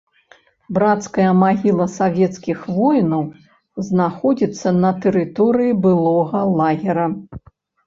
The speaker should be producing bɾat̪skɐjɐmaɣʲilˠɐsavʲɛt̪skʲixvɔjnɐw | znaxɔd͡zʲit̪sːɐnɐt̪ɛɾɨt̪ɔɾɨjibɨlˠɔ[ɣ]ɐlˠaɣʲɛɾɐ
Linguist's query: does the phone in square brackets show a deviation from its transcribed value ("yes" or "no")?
no